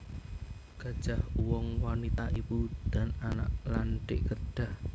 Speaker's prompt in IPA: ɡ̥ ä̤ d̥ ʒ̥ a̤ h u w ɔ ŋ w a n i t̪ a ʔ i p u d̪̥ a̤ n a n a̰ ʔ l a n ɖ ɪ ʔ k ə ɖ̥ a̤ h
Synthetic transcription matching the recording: ɡ̥ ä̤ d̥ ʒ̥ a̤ h u w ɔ ŋ w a n i t̪ a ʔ i p u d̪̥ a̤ n a n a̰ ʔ l a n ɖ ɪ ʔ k ə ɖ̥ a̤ h